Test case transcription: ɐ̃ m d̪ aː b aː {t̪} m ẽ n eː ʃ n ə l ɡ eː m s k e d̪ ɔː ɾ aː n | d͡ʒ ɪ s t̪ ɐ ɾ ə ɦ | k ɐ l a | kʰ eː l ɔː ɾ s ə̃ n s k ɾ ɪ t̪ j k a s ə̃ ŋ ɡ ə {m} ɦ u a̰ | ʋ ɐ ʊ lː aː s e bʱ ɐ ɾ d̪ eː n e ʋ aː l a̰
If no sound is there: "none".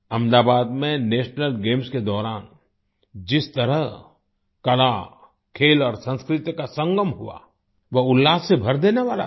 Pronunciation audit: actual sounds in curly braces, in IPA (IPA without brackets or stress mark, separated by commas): d̪, m